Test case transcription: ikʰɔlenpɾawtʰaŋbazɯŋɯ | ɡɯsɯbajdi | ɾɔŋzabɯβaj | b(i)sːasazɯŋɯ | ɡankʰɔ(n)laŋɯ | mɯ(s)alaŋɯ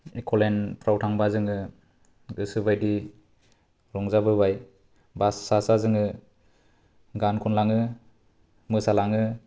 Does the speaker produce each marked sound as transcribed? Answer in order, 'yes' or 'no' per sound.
no, yes, yes

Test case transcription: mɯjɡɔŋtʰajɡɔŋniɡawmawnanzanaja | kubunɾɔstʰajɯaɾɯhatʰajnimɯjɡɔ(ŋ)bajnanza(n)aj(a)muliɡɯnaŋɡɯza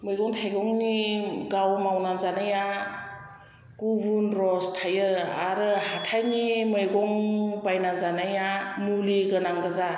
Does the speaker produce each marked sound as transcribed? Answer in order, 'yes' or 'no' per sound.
yes, yes, yes

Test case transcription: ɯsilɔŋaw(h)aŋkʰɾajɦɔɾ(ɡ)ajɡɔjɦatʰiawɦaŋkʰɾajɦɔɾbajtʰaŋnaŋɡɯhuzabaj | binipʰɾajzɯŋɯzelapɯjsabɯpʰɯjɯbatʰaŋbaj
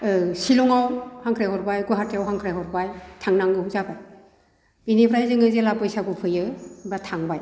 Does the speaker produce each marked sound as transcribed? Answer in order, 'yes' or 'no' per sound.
yes, no

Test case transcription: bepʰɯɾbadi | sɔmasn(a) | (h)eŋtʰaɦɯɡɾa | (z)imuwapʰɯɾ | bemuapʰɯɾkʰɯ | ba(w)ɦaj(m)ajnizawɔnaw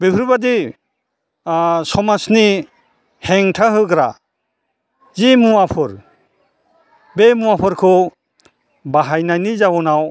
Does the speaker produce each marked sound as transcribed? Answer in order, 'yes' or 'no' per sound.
no, yes, yes, no, no

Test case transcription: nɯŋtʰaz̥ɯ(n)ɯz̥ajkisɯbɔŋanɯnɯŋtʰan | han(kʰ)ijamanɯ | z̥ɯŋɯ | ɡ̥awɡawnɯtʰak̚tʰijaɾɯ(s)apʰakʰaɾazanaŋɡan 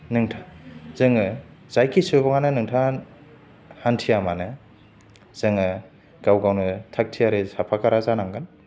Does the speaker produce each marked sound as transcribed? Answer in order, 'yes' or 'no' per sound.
no, no, yes

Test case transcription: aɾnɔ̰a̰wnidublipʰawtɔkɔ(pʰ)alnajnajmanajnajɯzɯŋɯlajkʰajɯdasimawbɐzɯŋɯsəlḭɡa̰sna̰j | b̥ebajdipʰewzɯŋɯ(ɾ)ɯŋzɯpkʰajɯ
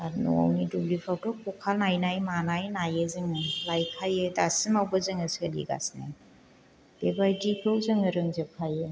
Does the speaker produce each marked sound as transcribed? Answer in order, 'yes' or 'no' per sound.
no, yes

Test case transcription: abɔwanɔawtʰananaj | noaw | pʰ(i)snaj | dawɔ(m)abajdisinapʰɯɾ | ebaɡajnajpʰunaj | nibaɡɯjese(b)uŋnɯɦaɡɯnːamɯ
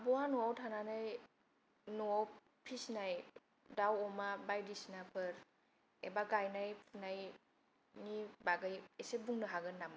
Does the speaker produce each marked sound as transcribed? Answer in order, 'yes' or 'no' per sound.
yes, yes, yes

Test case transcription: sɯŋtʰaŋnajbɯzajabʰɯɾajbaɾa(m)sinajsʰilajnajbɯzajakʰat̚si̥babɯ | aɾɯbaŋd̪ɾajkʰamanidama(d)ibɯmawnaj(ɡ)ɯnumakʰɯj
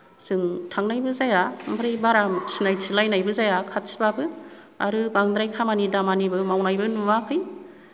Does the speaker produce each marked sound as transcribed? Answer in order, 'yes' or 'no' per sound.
yes, no, no

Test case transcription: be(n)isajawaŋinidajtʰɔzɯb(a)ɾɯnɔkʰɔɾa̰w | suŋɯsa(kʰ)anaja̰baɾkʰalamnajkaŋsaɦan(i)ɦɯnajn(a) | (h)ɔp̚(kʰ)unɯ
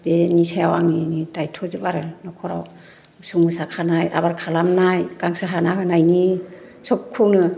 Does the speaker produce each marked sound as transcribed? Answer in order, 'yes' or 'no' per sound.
yes, yes, yes, no, no, no, yes

